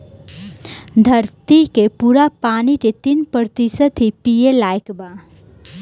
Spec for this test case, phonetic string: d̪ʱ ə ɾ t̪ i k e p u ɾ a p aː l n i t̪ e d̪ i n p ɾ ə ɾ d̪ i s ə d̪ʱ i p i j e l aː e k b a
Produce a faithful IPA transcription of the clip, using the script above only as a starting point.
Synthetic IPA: d̪ʱ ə ɾ t̪ i k e p u ɾ a p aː n i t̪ e t̪ i n p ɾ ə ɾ t̪ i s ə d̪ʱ i p i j e l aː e k b a

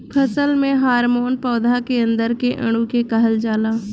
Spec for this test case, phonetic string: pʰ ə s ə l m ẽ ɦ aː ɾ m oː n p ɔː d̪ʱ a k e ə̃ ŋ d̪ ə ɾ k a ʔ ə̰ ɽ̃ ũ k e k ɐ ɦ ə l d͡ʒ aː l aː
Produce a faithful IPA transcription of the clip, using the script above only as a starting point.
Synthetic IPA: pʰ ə s ə l m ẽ ɦ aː ɾ m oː n p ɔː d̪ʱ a k e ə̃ n d̪ ə ɾ k e ʔ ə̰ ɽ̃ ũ k e k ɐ ɦ ə l d͡ʒ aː l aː

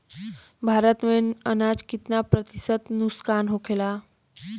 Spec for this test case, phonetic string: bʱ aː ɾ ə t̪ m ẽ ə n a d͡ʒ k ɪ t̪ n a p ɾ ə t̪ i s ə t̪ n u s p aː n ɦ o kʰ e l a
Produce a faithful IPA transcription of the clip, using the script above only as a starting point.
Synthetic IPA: bʱ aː ɾ ə t̪ m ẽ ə n a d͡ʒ k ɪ t̪ n a p ɾ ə t̪ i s ə t̪ n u s k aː n ɦ o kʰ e l a

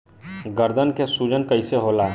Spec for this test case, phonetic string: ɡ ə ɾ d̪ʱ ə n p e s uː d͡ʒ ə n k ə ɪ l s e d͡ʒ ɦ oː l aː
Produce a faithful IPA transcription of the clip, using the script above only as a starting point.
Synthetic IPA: ɡ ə ɾ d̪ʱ ə n k e s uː d͡ʒ ə n k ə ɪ s e ɦ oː l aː

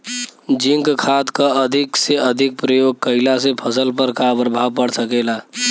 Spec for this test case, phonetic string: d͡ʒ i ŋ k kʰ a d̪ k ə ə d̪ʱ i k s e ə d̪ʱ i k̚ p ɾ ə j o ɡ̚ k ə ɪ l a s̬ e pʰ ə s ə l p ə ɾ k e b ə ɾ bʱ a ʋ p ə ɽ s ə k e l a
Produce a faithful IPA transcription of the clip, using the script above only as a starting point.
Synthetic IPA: d͡ʒ i ŋ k kʰ a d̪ k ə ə d̪ʱ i k s e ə d̪ʱ i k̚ p ɾ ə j o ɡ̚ k ə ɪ l a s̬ e pʰ ə s ə l p ə ɾ k a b ə ɾ bʱ a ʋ p ə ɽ s ə k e l a

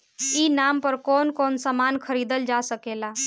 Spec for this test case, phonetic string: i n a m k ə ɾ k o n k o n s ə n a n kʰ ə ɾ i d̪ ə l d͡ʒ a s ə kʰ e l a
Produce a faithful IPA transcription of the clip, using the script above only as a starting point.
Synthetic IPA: i n a m p ə ɾ k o n k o n s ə m a n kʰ ə ɾ i d̪ ə l d͡ʒ a s ə k e l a

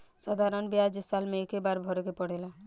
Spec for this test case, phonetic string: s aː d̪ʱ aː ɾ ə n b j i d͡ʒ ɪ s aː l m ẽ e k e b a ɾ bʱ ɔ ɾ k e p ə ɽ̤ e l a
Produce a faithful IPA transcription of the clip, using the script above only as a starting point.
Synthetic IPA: s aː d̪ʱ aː ɾ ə n b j a d͡ʒ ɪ s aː l m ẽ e k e b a ɾ bʱ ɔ ɾ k e p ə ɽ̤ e l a

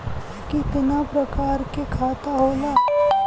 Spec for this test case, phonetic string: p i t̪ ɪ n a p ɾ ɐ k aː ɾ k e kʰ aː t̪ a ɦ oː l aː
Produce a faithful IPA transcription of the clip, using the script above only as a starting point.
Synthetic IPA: k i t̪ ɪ n a p ɾ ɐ k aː ɾ k e kʰ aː t̪ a ɦ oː l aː

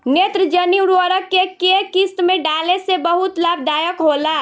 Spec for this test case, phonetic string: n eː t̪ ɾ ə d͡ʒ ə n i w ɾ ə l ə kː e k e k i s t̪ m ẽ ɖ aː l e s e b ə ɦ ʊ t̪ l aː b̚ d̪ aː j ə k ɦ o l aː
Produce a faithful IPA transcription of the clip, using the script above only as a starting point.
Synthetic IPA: n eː t̪ ɾ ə d͡ʒ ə n i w ɾ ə ɾ ə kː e k e k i s t̪ m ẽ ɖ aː l e s e b ə ɦ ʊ t̪ l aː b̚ d̪ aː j ə k ɦ o l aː

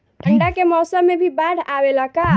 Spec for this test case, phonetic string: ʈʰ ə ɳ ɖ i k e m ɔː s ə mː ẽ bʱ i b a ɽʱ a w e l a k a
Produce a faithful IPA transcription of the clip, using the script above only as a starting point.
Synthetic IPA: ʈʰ ə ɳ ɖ a k e m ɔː s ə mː e bʱ i b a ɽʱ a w e l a k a

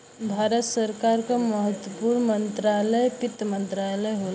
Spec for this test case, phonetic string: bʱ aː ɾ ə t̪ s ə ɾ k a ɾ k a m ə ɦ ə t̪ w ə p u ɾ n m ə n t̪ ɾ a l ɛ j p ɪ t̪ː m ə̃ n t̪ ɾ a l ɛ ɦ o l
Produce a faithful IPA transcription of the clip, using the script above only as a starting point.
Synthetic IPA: bʱ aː ɾ ə t̪ s ə ɾ k a ɾ k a m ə ɦ ə t̪ w ə p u ɾ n m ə n t̪ ɾ a l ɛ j p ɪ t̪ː m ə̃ n t̪ ɾ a l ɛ ɦ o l

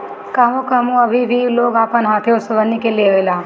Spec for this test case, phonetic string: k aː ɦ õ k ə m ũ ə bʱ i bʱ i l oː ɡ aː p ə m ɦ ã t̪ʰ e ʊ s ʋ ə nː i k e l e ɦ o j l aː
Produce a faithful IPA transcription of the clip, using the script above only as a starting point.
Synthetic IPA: k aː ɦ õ k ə m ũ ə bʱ i bʱ i l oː ɡ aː p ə n ɦ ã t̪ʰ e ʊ s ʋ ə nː i k e l e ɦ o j l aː

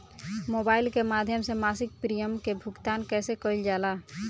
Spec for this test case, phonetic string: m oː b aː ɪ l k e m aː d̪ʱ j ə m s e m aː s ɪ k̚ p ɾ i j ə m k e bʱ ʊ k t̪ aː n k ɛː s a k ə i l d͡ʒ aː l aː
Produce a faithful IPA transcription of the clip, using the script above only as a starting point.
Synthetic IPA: m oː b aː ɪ l k e m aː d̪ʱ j ə m s e m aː s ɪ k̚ p ɾ i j ə m k e bʱ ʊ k t̪ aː n k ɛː s e k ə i l d͡ʒ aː l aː

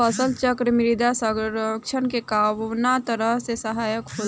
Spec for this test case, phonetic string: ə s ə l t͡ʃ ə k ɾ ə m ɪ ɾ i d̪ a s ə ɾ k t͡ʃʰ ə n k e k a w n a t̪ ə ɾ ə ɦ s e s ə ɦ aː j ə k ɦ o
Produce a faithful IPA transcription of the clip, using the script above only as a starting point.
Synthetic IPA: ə s ə l t͡ʃ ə k ɾ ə m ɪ ɾ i d̪ a s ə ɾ k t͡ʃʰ ə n k e k a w n a t̪ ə ɾ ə ɦ s e s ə ɦ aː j ə k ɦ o

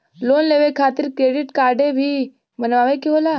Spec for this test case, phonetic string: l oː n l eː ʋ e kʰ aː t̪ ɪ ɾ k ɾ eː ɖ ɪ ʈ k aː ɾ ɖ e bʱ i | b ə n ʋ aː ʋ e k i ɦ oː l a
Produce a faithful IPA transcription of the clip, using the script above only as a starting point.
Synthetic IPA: l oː n l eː ʋ e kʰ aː t̪ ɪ ɾ k ɾ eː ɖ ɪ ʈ k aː ɾ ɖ e bʱ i | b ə n ʋ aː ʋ e k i ɦ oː l a

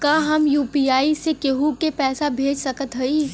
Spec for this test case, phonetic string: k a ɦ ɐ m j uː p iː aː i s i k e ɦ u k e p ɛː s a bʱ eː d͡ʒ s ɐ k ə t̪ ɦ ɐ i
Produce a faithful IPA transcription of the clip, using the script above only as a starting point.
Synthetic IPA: k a ɦ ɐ m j uː p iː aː i s e k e ɦ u k e p ɛː s a bʱ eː d͡ʒ s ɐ k ə t̪ ɦ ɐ i

